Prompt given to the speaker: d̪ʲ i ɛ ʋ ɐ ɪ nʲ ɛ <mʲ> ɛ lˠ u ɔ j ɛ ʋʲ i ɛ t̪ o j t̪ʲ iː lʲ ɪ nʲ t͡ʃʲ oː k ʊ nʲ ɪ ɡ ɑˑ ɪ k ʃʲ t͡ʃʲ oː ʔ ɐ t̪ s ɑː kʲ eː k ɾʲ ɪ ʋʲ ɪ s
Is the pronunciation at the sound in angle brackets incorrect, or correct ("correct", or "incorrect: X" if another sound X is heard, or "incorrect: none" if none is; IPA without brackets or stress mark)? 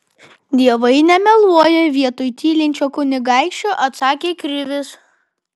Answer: correct